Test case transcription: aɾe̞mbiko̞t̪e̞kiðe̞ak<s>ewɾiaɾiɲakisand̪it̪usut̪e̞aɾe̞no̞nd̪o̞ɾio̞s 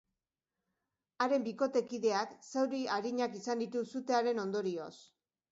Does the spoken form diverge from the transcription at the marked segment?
no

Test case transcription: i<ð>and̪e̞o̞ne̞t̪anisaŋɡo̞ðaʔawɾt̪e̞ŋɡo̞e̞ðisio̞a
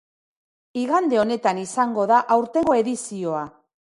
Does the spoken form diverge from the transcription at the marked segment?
yes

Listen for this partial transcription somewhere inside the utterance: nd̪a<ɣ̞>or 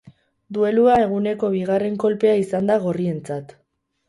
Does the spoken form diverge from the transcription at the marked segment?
no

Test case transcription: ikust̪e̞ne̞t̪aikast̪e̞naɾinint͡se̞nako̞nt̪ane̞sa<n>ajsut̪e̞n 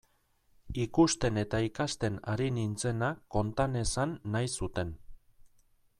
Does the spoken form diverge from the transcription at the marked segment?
yes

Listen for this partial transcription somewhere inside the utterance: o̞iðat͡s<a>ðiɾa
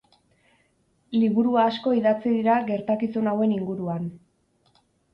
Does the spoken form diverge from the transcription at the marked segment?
yes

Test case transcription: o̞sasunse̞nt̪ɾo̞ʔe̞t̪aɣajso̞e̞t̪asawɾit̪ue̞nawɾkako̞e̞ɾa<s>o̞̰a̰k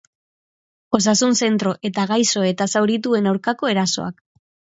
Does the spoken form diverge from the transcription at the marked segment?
no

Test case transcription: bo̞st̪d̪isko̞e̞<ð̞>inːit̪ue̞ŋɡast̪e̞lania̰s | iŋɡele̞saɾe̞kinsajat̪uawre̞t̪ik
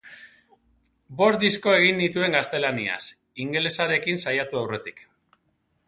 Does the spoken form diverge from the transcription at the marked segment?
yes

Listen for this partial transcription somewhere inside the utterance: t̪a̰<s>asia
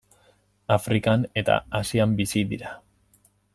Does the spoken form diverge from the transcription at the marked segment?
yes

